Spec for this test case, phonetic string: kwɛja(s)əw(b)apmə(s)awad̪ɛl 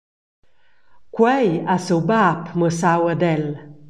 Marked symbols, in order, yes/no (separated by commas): yes, yes, yes